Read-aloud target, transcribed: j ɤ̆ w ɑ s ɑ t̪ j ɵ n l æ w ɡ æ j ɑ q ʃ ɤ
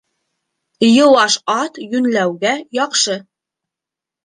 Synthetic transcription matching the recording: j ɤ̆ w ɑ ʃ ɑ t̪ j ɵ n l æ w ɡ æ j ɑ q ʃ ɤ

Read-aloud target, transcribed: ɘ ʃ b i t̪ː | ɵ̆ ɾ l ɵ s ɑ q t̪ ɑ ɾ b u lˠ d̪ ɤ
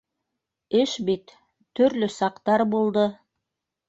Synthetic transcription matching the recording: ɘ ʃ b i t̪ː | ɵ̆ ɾ l ɵ s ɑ q t̪ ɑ ɾ b u lˠ d̪ ɤ

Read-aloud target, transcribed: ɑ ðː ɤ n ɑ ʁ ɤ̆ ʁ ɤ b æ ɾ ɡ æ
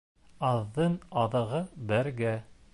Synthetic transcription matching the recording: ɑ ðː ɤ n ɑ ð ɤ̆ ʁ ɤ b æ ɾ ɡ æ

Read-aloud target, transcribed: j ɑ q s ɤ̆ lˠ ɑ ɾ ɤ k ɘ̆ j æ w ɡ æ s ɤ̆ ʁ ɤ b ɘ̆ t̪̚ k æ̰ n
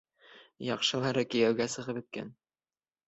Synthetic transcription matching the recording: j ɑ q ʃ ɤ̆ lˠ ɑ ɾ ɤ k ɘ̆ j æ w ɡ æ s ɤ̆ ʁ ɤ p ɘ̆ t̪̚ k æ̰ n

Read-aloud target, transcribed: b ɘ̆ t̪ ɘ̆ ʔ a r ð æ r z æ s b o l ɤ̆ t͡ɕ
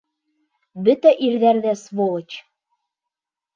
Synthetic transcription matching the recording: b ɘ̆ t̪ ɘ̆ ʔ i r ð æ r ð æ s β o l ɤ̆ t͡ɕ

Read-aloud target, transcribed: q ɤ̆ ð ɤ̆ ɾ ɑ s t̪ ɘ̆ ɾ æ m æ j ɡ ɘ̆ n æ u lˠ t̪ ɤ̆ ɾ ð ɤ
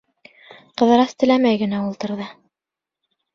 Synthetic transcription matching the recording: q ɤ̆ ð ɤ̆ ɾ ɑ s t̪ ɘ̆ l æ m æ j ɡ ɘ̆ n æ u lˠ t̪ ɤ̆ ɾ ð ɤ

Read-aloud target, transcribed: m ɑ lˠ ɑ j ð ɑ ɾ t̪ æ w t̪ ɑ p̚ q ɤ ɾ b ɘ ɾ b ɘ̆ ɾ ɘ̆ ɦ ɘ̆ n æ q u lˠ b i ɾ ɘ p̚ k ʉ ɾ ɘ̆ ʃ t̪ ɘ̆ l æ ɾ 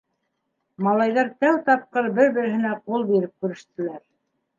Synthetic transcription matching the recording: m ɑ lˠ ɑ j ð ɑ ɾ t̪ æ w t̪ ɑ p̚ q ɤ ɾ b ɘ ɾ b ɘ̆ ɾ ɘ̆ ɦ ɘ̆ n æ q u lˠ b i ɾ ɘ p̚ k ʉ ɾ ɘ̆ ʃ t̪ ɘ̆ l æ ɾ

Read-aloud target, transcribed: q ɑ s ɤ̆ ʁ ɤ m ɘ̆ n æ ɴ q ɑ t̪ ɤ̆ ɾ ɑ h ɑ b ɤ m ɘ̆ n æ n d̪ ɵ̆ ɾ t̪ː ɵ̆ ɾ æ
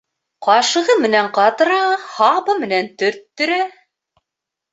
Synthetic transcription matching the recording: q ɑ ʃ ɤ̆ ʁ ɤ m ɘ̆ n æ ɴ q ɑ t̪ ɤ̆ ɾ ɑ h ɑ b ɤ m ɘ̆ n æ n t̪ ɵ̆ ɾ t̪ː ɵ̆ ɾ æ

